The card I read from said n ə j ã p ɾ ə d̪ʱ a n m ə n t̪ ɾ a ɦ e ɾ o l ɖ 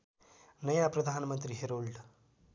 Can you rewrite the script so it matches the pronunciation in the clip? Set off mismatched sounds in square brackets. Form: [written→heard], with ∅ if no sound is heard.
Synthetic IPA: n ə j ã p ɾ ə d̪ʱ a n m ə n t̪ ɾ [a→i] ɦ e ɾ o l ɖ